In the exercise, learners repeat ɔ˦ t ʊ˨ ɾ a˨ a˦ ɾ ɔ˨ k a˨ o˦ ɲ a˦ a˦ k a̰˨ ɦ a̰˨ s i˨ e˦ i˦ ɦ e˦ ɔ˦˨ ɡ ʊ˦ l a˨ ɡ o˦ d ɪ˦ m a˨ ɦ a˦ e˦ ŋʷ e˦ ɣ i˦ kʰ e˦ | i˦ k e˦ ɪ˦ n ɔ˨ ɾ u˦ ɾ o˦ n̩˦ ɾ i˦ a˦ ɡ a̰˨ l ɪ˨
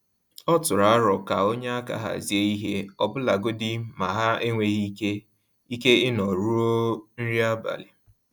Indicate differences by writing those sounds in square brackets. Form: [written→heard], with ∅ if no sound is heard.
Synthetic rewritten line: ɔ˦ t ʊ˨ ɾ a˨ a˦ ɾ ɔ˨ k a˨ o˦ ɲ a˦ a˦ k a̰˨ ɦ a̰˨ [s→z] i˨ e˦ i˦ ɦ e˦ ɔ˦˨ [ɡ→b] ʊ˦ l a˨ ɡ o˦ d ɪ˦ m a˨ ɦ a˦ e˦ ŋʷ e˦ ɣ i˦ [kʰ→k] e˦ | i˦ k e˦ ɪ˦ n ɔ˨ ɾ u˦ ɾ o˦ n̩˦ ɾ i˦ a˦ [ɡ→b] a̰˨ l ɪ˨